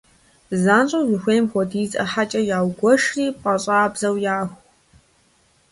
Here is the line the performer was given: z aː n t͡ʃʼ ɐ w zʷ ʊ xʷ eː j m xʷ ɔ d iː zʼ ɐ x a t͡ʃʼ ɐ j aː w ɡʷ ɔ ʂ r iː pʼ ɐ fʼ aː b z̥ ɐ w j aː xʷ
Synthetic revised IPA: z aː n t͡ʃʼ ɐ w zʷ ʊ xʷ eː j m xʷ ɔ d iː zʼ ɐ ħ a t͡ʃʼ ɐ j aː w ɡʷ ɔ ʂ r iː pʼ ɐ ɕʼ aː b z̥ ɐ w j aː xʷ